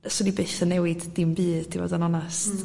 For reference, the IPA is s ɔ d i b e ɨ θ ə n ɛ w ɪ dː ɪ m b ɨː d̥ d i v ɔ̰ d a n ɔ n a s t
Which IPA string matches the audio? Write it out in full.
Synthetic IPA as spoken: s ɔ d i b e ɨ θ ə n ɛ w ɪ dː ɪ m b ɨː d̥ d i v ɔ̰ d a n ɔ n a s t